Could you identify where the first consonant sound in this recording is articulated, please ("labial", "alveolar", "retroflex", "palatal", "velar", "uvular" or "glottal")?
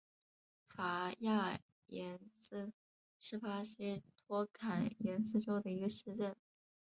labial